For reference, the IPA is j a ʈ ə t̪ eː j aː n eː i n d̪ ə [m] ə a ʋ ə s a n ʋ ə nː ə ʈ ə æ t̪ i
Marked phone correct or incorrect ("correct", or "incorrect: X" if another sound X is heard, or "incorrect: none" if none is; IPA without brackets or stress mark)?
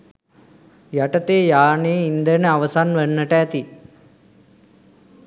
incorrect: n